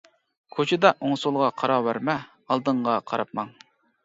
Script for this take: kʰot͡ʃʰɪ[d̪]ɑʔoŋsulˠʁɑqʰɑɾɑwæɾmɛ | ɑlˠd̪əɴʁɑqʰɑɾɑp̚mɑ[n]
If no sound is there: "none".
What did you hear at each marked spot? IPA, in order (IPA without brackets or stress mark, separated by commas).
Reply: d̪, ŋ